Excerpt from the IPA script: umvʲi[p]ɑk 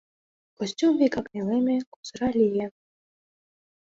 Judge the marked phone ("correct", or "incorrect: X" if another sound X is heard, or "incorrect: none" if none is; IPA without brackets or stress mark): incorrect: k